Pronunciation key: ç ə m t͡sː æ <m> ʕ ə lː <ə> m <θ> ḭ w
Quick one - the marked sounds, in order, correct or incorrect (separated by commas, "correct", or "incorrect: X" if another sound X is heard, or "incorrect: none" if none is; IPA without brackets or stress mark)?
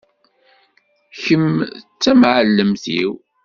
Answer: correct, correct, correct